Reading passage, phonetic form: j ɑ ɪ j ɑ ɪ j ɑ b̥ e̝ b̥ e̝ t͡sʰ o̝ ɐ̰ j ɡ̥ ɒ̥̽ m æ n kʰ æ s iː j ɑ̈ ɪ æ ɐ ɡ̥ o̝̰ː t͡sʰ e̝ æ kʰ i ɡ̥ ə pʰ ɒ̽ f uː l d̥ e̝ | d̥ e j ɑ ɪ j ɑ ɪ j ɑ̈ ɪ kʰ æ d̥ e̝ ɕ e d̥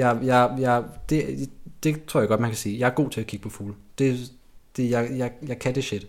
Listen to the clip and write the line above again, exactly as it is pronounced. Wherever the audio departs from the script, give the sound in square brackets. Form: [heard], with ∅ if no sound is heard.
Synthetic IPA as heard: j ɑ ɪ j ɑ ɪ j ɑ [d̥] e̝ [d̥] e̝ t͡sʰ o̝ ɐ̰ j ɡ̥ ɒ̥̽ m æ n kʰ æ s iː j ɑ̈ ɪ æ ɐ ɡ̥ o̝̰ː t͡sʰ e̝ æ kʰ i ɡ̥ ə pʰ ɒ̽ f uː l d̥ e̝ | d̥ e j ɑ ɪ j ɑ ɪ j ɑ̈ ɪ kʰ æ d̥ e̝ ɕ e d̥